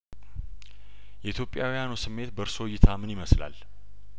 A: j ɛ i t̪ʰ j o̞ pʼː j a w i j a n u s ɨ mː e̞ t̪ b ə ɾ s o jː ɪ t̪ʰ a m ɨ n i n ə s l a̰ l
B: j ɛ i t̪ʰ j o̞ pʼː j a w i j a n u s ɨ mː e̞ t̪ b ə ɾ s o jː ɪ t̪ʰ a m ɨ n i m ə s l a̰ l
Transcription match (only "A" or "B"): B